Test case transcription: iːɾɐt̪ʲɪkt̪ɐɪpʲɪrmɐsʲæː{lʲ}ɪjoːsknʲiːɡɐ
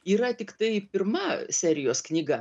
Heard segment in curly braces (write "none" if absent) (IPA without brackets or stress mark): ɾʲ